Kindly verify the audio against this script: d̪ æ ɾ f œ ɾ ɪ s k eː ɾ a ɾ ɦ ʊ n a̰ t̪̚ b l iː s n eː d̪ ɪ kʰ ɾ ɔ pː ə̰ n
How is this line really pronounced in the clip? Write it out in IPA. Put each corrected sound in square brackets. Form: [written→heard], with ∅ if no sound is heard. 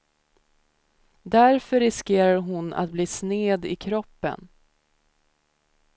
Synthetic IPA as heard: d̪ æ ɾ f œ ɾ ɪ s k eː ɾ a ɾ ɦ ʊ n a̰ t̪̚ b l iː s n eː d̪ ɪ kʰ ɾ ɔ pː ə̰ n